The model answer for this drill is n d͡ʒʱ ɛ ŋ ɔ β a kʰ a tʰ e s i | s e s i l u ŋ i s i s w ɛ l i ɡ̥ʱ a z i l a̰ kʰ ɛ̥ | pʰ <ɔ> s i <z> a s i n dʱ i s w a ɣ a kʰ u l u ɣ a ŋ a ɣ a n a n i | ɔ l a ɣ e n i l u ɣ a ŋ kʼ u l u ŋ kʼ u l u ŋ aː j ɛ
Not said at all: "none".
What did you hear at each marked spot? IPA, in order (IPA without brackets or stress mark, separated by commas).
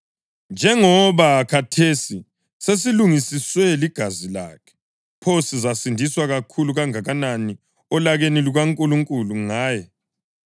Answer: o, z